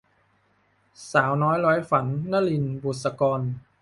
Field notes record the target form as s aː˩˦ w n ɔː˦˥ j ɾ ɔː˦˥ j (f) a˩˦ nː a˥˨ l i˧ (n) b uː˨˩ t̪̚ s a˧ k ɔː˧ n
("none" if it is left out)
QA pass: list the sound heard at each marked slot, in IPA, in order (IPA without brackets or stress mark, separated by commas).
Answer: f, n